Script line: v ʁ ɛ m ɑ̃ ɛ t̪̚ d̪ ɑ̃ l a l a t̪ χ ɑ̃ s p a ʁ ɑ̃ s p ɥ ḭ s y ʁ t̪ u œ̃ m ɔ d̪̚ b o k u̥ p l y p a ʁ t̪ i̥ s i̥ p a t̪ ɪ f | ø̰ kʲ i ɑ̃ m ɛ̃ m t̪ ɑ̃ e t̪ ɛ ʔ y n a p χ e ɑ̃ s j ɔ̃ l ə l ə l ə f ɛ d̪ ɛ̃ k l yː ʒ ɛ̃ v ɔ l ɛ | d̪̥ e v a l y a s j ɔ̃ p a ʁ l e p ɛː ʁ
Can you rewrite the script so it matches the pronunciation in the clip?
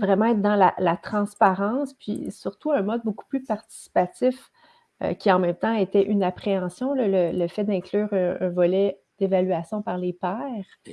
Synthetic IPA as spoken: v ʁ ɛ m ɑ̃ ɛ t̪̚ d̪ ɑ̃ l a l a t̪ χ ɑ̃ s p a ʁ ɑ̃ s p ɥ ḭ s y ʁ t̪ u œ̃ m ɔ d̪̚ b o k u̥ p l y p a ʁ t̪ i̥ s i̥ p a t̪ ɪ f | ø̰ kʲ i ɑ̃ m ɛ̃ m t̪ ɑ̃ e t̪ ɛ ʔ y n a p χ e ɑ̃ s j ɔ̃ l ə l ə l ə f ɛ d̪ ɛ̃ k l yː ʁ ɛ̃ v ɔ l ɛ | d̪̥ e v a l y a s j ɔ̃ p a ʁ l e p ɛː ʁ